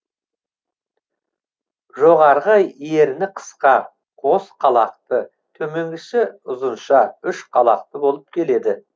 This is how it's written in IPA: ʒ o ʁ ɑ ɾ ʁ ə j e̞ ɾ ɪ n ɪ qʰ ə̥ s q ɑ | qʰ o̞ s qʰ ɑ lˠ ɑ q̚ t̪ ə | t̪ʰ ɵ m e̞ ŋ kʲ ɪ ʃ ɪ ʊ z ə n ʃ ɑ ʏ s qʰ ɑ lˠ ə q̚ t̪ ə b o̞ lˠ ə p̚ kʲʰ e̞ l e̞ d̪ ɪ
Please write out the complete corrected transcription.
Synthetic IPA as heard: ʒ o ʁ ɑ ɾ ʁ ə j e̞ ɾ ɪ n ɪ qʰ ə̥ s q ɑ | qʰ o̞ s qʰ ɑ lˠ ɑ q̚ t̪ ə | t̪ʰ ɵ m e̞ ŋ ɡʲ ɪ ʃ ɪ ʊ z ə n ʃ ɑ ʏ ʃ qʰ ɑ lˠ ɑ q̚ t̪ ə b o̞ lˠ ə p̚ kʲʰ e̞ l e̞ d̪ ɪ